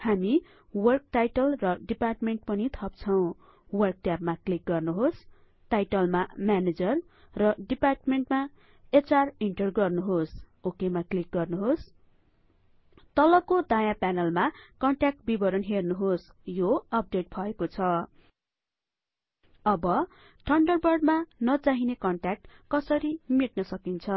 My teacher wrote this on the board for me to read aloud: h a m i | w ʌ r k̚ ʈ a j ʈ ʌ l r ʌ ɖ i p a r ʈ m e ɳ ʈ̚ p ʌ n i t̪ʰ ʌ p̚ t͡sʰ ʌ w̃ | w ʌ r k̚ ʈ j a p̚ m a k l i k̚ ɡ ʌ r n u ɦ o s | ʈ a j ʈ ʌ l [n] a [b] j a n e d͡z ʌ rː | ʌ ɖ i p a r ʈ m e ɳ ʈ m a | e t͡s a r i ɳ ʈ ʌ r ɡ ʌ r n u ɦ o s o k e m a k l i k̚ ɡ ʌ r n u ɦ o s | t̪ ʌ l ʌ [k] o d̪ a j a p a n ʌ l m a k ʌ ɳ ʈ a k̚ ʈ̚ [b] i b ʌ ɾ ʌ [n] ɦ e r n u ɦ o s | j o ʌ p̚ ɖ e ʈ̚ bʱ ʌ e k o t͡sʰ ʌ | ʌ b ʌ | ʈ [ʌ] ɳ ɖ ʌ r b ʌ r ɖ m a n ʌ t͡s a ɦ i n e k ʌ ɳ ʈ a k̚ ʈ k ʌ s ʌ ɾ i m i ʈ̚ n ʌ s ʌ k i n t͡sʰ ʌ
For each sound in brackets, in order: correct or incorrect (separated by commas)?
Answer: incorrect, incorrect, correct, correct, correct, correct